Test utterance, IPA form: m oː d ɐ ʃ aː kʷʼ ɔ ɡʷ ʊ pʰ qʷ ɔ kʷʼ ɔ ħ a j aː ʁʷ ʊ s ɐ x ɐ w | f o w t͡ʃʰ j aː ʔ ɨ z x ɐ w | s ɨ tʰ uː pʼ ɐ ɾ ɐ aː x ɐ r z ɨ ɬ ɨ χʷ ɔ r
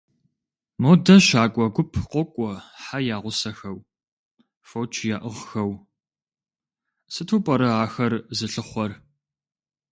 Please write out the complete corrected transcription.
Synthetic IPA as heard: m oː d ɐ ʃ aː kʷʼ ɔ ɡʷ ʊ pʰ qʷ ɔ kʷʼ ɔ ħ a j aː ʁʷ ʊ s ɐ x ɐ w | f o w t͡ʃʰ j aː ʔ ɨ ʁ x ɐ w | s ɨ tʰ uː pʼ ɐ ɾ ɐ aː x ɐ r z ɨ ɬ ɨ χʷ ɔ r